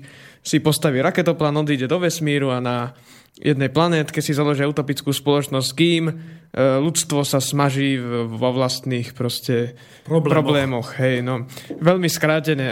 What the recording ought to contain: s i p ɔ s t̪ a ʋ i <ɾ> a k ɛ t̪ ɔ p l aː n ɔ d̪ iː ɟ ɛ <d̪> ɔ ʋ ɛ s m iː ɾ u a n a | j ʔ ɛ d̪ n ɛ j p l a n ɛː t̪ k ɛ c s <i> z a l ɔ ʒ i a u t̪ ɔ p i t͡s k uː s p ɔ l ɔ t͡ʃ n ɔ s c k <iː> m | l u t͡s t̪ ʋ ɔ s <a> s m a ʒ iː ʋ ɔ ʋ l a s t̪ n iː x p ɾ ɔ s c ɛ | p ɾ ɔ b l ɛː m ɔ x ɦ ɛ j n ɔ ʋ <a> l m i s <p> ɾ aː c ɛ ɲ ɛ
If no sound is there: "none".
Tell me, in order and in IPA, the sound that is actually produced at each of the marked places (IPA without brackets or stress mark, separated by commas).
ɾ, d̪, i, iː, a, ɛ, k